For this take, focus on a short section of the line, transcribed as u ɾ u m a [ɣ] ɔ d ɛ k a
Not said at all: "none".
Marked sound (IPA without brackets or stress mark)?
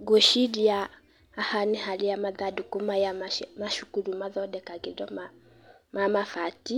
ð